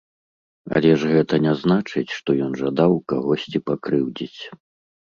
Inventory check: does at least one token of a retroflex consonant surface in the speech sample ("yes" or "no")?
yes